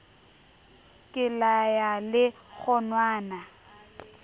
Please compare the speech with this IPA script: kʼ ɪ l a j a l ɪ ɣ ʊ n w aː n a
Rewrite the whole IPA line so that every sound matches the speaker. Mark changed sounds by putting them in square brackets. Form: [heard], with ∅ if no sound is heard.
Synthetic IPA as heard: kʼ ɪ l a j a l ɪ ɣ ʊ n w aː n a